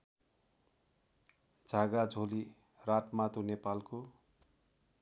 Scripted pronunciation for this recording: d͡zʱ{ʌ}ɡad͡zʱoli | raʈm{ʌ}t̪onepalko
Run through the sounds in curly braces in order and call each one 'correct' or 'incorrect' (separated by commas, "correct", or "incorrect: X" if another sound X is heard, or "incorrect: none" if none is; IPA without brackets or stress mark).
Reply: incorrect: a, incorrect: a